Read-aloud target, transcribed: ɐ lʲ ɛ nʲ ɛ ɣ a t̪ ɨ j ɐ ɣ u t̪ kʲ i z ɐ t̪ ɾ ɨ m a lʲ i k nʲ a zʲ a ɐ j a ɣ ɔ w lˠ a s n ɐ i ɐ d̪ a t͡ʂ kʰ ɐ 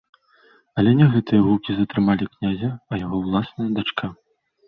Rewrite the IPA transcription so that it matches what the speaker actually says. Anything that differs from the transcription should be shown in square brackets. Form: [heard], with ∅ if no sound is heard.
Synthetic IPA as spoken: ɐ lʲ ɛ nʲ ɛ ɣ [ɛ] t̪ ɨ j ɐ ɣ u [∅] kʲ i z ɐ t̪ ɾ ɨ m a lʲ i k nʲ a zʲ [ɐ] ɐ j a ɣ ɔ w lˠ a s n ɐ [j] ɐ d̪ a t͡ʂ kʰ [a]